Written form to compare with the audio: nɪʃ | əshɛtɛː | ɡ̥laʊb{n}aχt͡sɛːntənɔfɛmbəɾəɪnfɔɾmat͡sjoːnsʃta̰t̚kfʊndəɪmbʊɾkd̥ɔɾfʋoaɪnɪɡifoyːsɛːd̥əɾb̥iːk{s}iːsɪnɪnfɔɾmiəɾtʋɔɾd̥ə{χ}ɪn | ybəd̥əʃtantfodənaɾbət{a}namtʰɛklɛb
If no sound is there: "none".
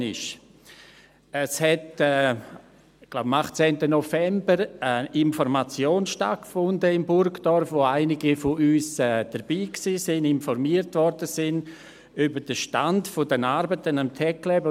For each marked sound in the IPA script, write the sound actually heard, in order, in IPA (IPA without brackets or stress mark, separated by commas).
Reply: m, s, s, ə